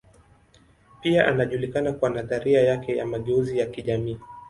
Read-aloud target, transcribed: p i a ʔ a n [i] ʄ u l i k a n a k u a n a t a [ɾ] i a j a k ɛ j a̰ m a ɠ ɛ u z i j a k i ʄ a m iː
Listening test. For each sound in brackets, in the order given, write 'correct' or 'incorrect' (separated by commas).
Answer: incorrect, correct